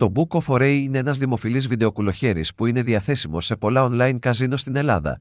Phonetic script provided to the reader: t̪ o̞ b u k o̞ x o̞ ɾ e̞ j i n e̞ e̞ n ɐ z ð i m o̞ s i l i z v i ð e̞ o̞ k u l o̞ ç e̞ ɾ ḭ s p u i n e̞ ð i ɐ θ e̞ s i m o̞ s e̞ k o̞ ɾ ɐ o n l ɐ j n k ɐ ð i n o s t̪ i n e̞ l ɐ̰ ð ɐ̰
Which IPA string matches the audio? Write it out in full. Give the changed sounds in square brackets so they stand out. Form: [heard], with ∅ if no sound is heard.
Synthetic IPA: t̪ o̞ b u k o̞ [f] o̞ ɾ e̞ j i n e̞ e̞ n ɐ z ð i m o̞ [f] i l i z v i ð e̞ o̞ k u l o̞ ç e̞ ɾ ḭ s p u i n e̞ ð i ɐ θ e̞ s i m o̞ s e̞ [p] o̞ [l] ɐ o n l ɐ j n k ɐ [z] i n o s t̪ i n e̞ l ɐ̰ ð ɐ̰